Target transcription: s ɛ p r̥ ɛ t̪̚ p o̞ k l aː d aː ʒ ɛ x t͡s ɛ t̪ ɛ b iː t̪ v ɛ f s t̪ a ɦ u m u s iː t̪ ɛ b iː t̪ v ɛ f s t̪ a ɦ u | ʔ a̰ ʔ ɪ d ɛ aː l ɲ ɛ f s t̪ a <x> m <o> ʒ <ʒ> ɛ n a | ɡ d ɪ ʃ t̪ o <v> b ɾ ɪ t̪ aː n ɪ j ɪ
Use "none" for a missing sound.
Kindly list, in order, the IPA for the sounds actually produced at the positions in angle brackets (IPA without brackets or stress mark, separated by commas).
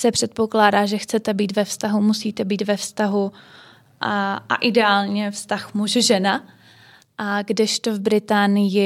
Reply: x, u, ʒ, v